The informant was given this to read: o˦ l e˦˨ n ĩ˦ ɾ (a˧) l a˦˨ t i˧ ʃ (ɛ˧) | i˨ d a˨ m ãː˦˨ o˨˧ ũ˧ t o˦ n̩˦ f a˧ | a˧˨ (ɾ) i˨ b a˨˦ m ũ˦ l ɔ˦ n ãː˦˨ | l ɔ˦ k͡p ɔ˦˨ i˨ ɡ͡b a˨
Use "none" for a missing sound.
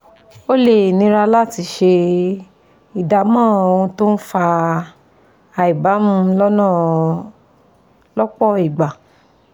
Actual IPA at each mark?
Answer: a˧, e˧, none

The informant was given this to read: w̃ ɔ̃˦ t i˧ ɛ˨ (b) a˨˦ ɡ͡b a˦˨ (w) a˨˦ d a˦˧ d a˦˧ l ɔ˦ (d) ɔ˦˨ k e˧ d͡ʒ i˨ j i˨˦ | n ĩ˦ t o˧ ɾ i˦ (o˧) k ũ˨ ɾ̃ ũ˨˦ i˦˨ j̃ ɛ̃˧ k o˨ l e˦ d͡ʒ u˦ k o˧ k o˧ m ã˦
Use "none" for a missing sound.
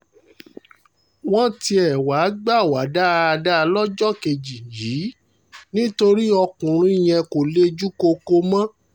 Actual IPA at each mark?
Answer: w, w, d͡ʒ, ɔ˧

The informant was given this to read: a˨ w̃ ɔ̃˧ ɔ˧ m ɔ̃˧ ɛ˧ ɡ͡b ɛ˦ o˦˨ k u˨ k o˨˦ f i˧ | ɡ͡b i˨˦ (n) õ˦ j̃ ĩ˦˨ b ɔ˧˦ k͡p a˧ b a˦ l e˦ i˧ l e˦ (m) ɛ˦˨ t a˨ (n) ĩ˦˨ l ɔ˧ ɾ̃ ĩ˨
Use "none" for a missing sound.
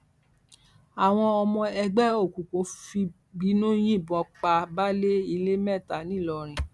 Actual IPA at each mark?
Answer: n, m, n

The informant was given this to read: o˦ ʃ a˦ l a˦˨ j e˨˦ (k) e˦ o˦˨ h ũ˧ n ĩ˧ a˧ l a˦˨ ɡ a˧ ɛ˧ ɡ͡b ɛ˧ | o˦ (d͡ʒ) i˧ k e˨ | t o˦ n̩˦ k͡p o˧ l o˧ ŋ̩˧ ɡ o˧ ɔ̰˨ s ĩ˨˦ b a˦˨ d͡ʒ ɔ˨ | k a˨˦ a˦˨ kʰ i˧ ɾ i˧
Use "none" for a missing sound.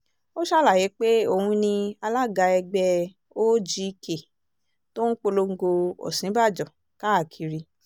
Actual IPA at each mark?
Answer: k͡p, d͡ʒ

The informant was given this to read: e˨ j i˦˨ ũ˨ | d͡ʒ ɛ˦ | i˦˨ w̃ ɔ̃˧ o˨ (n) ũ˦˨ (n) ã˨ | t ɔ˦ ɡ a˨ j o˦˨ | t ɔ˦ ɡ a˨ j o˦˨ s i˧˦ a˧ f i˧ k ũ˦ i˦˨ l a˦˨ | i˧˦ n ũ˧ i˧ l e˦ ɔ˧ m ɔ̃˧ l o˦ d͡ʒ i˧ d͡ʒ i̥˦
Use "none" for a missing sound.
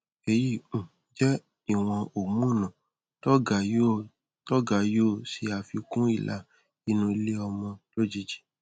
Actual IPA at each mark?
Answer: m, n

